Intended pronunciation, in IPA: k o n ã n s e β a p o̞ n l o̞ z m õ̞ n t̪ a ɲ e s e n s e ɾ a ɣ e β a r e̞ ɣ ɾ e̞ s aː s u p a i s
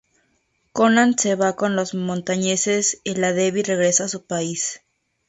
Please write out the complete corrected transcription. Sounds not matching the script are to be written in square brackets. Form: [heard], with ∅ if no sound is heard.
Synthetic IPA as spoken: k o n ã n s e β a [k] o̞ n l o̞ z m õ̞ n t̪ a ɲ e s e [∅] s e [l] a [ð] e β [i] r e̞ ɣ ɾ e̞ s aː s u p a i s

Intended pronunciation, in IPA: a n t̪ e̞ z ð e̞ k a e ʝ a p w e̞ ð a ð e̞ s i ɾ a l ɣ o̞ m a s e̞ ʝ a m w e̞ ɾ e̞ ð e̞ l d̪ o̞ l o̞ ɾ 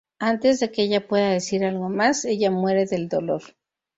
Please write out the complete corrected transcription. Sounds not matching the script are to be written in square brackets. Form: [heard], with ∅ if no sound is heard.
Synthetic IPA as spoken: a n t̪ e̞ z ð e̞ k [e] e ʝ a p w e̞ ð a ð e̞ s i ɾ a l ɣ o̞ m a s e̞ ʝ a m w e̞ ɾ e̞ ð e̞ l d̪ o̞ l o̞ ɾ

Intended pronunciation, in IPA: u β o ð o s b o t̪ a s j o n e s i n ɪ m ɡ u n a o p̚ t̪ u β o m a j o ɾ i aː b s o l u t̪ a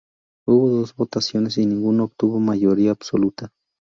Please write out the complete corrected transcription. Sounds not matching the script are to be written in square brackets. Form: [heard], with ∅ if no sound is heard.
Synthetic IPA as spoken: u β o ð o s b o t̪ a s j o n e s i n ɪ [ŋ] ɡ u n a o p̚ t̪ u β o m a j o ɾ i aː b s o l u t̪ a

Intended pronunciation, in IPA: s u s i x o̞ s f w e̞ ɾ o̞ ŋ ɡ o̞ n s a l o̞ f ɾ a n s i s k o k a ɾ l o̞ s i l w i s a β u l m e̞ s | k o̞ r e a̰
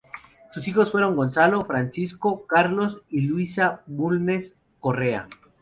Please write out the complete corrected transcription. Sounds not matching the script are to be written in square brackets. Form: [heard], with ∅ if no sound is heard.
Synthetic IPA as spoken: s u s i x o̞ s f w e̞ ɾ o̞ ŋ ɡ o̞ n s a l o̞ f ɾ a n s i s k o k a ɾ l o̞ s i l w i s a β u l [n] e̞ s | k o̞ r e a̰

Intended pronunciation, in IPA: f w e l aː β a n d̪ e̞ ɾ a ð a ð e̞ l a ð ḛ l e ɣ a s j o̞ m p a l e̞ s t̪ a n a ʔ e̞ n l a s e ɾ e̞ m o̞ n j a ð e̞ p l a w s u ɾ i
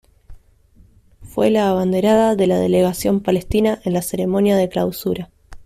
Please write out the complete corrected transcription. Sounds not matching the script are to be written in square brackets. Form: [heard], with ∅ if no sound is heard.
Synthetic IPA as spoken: f w e l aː β a n d̪ e̞ ɾ a ð a ð e̞ l a ð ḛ l e ɣ a s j o̞ m p a l e̞ s t̪ [i] n a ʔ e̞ n l a s e ɾ e̞ m o̞ n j a ð e̞ [k] l a w s u ɾ [a]

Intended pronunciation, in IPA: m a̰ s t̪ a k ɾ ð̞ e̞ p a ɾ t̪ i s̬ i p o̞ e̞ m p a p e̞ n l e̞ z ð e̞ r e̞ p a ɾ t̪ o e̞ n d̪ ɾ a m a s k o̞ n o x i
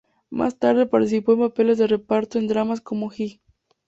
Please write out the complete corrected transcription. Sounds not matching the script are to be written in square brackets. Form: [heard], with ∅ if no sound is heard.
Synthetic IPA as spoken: m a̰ s t̪ a [∅] ɾ ð̞ e̞ p a ɾ t̪ i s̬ i p o̞ e̞ m p a p e̞ [∅] l e̞ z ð e̞ r e̞ p a ɾ t̪ o e̞ n d̪ ɾ a m a s k o̞ [m] o x i

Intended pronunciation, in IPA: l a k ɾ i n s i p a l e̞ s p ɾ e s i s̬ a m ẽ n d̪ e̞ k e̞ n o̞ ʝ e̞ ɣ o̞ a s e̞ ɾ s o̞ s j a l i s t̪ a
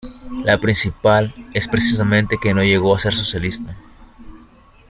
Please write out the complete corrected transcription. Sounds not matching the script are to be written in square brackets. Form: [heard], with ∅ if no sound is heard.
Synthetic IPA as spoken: l a [p] ɾ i n s i p a l e̞ s p ɾ e s i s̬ a m ẽ n [t̪] e̞ k e̞ n o̞ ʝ e̞ ɣ o̞ a s e̞ ɾ s o̞ s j a l i s t̪ a

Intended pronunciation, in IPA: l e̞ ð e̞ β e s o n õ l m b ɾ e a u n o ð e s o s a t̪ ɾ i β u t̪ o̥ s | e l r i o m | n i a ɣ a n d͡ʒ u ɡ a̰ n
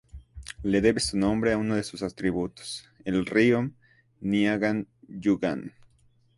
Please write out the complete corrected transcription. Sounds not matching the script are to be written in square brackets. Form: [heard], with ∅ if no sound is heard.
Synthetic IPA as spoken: l e̞ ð e̞ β e s [u] n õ [∅] m b ɾ e a u n o ð e s [u] s a t̪ ɾ i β u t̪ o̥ s | e l r i o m | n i a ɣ a n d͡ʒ u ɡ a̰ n

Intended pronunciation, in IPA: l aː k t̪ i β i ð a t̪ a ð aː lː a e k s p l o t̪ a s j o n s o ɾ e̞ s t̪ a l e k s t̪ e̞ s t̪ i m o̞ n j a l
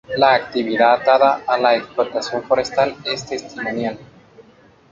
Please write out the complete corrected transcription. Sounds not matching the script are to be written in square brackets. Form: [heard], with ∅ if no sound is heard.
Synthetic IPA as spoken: l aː k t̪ i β i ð a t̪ a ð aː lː a e k s p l o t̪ a s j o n [f] o ɾ e̞ s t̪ a l e [∅] s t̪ e̞ s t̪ i m o̞ n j a l

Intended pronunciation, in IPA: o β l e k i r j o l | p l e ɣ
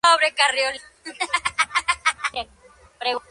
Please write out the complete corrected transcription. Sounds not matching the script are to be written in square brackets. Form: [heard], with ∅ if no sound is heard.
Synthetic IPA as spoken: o β [ɾ] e k [a] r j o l | p [ɾ] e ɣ

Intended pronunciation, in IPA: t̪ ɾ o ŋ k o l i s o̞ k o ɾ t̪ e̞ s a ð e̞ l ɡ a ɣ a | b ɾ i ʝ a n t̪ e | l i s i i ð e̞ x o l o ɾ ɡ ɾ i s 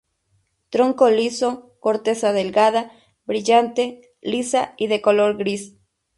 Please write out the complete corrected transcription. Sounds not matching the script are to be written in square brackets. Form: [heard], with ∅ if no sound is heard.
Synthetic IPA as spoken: t̪ ɾ o ŋ k o l i s o̞ k o ɾ t̪ e̞ s a ð e̞ l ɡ a [ð] a | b ɾ i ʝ a n t̪ e | l i s [a] i ð e̞ [k] o l o ɾ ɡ ɾ i s

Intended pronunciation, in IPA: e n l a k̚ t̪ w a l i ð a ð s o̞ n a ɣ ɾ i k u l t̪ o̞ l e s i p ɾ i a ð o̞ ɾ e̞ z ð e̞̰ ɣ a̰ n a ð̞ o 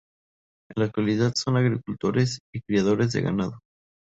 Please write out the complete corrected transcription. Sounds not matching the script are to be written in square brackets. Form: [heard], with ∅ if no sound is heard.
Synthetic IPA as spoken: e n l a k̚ t̪ w a l i ð a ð s o̞ n a ɣ ɾ i k u l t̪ o̞ [ɾ] e s i [k] ɾ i a ð o̞ ɾ e̞ z ð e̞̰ ɣ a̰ n a ð̞ o

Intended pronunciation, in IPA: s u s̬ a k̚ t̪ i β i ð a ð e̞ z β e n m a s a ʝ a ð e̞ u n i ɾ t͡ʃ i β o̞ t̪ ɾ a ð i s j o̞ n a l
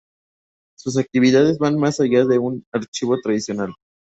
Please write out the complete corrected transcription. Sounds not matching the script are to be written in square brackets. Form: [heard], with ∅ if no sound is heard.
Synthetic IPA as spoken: s u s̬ a k̚ t̪ i β i ð a ð e̞ z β [a] n m a s a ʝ a ð e̞ u n [a] ɾ t͡ʃ i β o̞ t̪ ɾ a ð i s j o̞ n a l

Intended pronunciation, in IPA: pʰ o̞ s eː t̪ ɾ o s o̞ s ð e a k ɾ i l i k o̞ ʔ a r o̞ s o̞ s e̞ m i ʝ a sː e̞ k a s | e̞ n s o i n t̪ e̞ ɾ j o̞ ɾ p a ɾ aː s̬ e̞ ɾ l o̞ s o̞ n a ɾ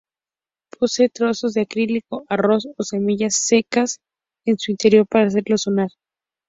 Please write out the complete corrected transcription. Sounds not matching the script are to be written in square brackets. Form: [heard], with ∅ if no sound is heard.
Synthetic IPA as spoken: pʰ o̞ s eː t̪ ɾ o s o̞ [z] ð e a k ɾ i l i k o̞ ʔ a r o̞ s o̞ s e̞ m i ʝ a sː e̞ k a s | e̞ n s [u] i n t̪ e̞ ɾ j o̞ ɾ p a ɾ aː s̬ e̞ ɾ l o̞ s o̞ n a ɾ

